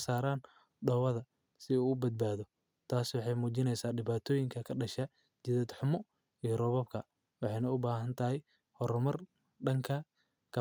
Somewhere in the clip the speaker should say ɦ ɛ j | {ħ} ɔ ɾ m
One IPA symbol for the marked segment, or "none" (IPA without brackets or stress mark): h